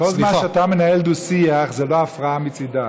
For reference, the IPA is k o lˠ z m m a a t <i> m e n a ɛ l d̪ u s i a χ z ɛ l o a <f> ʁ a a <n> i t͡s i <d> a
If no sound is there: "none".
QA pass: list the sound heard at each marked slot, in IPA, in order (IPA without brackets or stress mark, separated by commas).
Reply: a, f, m, d